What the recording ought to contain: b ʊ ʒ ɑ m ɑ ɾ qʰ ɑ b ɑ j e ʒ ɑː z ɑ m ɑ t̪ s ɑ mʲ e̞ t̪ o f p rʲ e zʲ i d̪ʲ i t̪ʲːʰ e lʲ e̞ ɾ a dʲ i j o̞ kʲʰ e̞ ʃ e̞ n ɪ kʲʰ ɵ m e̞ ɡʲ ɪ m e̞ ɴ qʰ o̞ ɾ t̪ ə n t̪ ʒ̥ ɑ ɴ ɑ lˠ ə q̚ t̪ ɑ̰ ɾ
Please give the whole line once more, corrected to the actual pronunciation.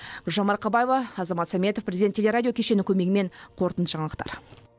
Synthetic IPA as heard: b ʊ ʒ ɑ m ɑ ɾ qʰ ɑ b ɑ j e v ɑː z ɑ m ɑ t̪ s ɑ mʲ e̞ t̪ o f p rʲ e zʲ i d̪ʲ e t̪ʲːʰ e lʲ e̞ ɾ a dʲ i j o̞ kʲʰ e̞ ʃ e̞ n ɪ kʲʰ ɵ m e̞ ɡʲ ɪ m e̞ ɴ qʰ o̞ ɾ t̪ ə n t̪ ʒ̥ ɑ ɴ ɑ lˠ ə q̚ t̪ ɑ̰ ɾ